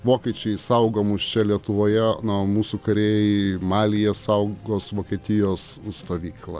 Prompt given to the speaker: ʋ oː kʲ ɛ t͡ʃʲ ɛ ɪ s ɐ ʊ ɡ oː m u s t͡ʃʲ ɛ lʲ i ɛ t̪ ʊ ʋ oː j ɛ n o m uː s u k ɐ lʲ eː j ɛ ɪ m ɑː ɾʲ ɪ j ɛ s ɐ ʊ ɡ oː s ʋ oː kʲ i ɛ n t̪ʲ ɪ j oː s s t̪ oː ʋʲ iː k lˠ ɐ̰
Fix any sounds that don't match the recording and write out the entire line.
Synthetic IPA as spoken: ʋ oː kʲ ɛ t͡ʃʲ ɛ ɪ s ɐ ʊ ɡ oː m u s t͡ʃʲ ɛ lʲ i ɛ t̪ ʊ ʋ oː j ɛ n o m uː s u k ɐ ɾʲ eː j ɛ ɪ m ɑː lʲ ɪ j ɛ s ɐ ʊ ɡ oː s ʋ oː kʲ i ɛ t̪ʲ ɪ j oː s s t̪ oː ʋʲ iː k lˠ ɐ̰